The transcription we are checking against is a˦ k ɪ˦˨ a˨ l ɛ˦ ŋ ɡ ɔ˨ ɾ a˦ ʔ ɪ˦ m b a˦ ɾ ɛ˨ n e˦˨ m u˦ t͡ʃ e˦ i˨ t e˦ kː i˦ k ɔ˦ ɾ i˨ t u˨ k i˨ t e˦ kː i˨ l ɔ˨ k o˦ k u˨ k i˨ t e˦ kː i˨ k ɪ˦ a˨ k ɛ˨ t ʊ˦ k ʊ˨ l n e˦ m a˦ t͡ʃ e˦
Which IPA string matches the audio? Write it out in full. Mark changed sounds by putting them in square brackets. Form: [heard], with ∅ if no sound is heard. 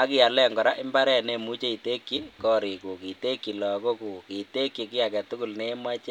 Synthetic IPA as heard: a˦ k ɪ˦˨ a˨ l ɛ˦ ŋ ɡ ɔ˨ ɾ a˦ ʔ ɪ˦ m b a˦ ɾ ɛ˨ n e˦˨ m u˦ t͡ʃ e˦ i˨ t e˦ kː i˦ k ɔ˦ ɾ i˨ [k] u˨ k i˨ t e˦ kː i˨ l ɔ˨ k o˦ k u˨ k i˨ t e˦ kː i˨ k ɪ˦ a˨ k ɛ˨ t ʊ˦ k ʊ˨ l n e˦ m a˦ t͡ʃ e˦